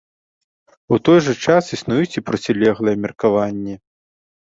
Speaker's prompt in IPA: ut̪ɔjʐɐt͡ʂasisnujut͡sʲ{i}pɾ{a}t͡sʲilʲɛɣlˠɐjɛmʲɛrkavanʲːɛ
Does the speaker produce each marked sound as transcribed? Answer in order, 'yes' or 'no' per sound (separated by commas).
yes, no